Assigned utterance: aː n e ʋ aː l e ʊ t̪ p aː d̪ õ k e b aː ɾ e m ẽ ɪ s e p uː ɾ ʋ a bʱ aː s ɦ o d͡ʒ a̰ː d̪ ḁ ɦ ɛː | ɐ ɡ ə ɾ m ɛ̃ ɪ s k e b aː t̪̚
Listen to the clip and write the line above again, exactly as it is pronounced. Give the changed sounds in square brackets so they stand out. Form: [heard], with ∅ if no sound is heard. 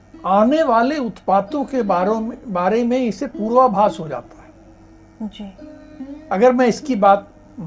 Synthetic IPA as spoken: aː n e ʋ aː l e ʊ t̪ p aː [t̪] õ k e b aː ɾ e m ẽ ɪ s e p uː ɾ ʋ a bʱ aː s ɦ o d͡ʒ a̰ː [t̪] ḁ ɦ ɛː | ɐ ɡ ə ɾ m ɛ̃ ɪ s k [i] b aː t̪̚